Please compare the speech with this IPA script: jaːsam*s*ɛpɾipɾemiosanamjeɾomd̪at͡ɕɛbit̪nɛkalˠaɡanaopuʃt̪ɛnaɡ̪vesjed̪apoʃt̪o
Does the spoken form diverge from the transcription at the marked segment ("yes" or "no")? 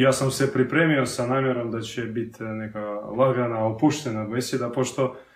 no